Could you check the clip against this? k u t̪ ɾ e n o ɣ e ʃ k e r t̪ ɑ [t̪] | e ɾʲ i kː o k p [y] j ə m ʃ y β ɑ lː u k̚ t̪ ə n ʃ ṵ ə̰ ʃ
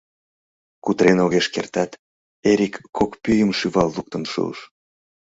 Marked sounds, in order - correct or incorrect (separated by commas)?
correct, correct